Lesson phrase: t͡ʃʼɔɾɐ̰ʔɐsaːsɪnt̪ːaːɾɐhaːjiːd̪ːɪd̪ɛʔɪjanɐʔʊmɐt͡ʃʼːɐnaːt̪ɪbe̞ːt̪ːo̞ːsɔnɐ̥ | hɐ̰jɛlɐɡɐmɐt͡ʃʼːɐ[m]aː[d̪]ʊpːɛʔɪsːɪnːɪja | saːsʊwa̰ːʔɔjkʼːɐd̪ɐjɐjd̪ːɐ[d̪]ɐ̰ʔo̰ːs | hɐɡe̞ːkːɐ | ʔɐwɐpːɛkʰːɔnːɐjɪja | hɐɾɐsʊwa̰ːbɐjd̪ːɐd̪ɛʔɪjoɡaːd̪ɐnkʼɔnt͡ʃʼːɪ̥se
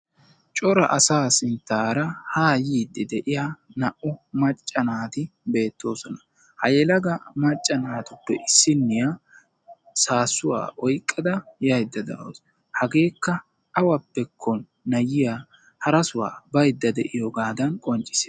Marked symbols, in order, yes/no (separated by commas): no, no, yes